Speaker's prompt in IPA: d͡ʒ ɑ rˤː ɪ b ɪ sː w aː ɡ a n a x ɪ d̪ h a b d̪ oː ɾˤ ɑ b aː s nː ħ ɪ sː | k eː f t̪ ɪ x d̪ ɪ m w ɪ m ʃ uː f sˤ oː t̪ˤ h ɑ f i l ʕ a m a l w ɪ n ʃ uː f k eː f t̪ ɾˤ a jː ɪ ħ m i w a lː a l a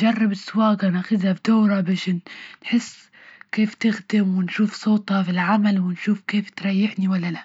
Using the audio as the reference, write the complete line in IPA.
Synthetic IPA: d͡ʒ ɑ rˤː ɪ b ɪ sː w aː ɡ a n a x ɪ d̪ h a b d̪ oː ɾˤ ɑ b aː ʃ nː ħ ɪ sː | k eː f t̪ ɪ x d̪ ɪ m w ɪ n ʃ uː f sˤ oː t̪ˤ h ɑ f i l ʕ a m a l w ɪ n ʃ uː f k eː f t̪ ɾˤ ɑ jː ɪ ħ n i w a lː a l a